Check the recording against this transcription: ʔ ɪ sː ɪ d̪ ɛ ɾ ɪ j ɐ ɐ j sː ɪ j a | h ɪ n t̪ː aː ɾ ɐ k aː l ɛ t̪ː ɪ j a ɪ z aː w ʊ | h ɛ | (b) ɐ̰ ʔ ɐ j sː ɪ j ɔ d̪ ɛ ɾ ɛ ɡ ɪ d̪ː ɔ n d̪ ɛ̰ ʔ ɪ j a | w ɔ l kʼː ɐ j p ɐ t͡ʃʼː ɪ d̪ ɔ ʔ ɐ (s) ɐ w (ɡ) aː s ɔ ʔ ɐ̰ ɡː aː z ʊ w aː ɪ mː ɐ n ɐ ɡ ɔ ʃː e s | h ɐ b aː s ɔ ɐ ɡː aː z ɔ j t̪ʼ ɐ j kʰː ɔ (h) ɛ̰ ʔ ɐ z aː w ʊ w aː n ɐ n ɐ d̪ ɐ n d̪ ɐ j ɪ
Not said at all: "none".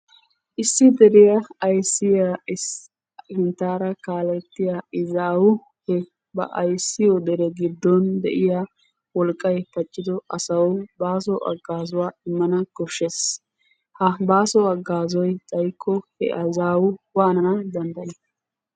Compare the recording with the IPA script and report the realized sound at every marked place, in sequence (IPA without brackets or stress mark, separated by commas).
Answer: b, s, b, h